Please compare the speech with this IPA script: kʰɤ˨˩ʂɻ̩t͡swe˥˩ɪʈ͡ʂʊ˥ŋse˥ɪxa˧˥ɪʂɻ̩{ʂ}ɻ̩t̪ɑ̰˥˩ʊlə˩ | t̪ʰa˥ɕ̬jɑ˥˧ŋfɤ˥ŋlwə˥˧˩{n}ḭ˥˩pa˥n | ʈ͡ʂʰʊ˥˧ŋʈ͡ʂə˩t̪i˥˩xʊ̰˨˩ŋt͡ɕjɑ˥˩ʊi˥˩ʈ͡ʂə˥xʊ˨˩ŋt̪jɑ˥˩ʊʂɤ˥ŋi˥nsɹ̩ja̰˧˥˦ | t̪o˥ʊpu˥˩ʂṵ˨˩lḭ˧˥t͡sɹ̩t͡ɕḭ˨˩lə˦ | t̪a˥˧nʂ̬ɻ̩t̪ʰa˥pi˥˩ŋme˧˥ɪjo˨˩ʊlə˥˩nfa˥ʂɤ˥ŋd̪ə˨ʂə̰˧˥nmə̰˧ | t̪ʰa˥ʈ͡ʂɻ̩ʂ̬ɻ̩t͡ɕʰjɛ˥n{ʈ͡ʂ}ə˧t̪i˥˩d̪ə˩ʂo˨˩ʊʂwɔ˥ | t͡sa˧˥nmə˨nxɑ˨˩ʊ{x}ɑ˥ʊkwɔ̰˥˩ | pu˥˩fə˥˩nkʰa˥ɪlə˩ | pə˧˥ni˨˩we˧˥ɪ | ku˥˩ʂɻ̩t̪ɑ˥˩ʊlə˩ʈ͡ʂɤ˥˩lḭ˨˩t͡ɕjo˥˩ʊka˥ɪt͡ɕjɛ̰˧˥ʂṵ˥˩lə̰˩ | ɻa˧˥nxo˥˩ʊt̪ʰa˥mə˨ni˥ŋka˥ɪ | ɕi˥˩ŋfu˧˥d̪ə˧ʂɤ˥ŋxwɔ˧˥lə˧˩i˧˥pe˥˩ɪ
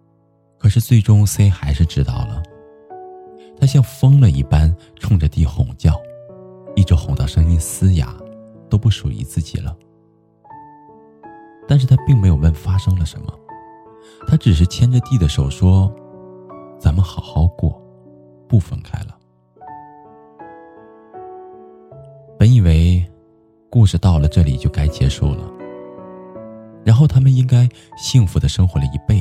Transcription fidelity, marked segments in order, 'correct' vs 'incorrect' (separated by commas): incorrect, correct, correct, correct